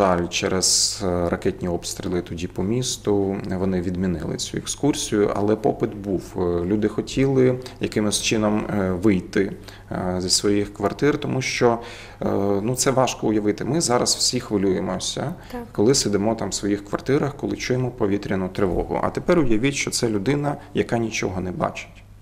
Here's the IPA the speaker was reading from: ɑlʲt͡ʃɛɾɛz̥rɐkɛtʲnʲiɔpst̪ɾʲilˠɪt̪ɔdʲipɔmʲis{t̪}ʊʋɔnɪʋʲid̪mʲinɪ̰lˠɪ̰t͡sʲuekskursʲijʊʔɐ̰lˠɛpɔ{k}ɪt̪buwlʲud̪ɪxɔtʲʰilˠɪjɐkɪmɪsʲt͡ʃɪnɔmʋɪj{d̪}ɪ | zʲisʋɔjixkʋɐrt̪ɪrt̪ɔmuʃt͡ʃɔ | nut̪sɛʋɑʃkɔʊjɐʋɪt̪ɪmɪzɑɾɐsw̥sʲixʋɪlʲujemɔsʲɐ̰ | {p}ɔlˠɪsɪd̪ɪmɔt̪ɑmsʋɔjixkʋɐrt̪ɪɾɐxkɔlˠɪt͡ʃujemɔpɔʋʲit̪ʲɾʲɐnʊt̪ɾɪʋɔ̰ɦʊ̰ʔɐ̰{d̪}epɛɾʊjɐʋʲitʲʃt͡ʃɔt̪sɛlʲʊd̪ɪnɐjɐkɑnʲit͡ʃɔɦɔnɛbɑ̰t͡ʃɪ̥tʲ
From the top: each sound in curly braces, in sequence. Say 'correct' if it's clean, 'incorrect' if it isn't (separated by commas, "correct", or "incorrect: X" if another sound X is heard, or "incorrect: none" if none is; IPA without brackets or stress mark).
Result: correct, incorrect: p, incorrect: t̪, incorrect: k, incorrect: t̪